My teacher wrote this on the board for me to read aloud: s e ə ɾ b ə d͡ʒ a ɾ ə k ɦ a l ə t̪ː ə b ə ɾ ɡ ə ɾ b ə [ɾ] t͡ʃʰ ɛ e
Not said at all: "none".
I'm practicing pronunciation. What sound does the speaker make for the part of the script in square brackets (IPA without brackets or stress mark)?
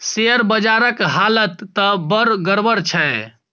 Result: ɾ